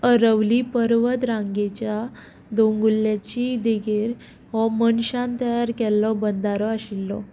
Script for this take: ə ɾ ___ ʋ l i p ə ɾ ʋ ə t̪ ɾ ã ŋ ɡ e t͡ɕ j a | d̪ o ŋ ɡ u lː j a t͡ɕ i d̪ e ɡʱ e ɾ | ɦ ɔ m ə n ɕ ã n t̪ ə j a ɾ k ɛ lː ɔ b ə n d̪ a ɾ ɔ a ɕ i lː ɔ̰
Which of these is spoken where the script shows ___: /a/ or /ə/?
ə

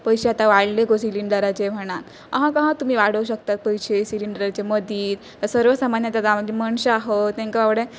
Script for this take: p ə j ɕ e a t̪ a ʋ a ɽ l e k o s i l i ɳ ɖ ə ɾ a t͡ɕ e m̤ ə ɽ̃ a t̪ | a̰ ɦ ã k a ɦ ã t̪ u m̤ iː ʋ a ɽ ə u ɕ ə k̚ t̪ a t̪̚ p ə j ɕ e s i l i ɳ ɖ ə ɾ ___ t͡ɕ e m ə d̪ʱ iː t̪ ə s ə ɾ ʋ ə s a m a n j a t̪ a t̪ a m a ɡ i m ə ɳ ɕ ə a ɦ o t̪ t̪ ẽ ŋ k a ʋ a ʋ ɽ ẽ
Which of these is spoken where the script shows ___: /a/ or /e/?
a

